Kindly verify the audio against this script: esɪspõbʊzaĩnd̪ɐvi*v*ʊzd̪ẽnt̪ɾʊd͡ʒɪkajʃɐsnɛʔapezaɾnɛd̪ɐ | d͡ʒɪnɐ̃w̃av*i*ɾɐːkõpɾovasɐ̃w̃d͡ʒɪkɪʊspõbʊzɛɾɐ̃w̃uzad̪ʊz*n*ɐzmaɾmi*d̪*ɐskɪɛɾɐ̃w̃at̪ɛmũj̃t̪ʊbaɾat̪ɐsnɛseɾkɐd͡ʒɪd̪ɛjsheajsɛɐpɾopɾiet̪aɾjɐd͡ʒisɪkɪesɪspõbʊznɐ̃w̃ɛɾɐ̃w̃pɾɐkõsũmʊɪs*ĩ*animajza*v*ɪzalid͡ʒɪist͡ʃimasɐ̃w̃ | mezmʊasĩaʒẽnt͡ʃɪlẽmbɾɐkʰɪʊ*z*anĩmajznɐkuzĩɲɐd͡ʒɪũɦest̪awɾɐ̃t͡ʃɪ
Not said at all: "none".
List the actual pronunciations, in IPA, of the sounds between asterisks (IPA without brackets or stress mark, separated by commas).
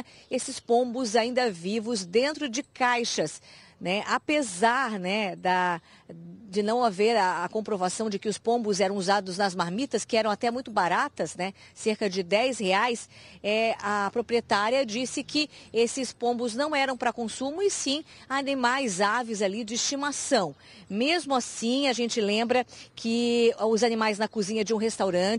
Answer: v, e, n, t̪, ĩ, v, z